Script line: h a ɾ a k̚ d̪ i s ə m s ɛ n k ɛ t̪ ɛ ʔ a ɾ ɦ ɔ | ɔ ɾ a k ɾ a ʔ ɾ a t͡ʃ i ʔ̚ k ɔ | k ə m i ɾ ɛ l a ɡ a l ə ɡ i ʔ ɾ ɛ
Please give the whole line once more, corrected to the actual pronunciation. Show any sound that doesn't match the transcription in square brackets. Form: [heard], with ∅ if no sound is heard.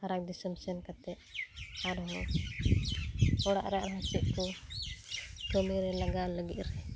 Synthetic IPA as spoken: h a ɾ a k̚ d̪ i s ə m s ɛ n k [a] t̪ ɛ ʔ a ɾ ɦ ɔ | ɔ [ɽ] a [ʔ] ɾ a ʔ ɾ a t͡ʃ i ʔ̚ k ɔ | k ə m i ɾ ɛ l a ɡ a l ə ɡ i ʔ ɾ ɛ